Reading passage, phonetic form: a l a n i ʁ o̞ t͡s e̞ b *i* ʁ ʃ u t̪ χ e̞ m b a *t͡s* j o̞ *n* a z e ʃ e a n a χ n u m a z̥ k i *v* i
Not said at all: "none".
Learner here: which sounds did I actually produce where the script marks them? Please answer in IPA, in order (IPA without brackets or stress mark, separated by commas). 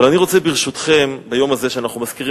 i, none, m, ʁ